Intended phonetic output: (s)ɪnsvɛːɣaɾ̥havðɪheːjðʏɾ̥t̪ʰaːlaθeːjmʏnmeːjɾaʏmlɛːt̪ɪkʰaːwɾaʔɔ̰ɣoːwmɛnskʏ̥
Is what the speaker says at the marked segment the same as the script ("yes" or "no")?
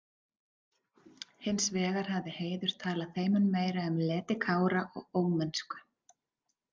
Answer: no